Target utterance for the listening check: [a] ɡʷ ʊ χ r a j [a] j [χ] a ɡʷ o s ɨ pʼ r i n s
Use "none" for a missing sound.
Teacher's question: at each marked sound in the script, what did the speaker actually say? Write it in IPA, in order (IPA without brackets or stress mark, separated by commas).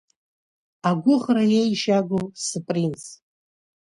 a, e, ʃ